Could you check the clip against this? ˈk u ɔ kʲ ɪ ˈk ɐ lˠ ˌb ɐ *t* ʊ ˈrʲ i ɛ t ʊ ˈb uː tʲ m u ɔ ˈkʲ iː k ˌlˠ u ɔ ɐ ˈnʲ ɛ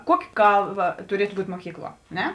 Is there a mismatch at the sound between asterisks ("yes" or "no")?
no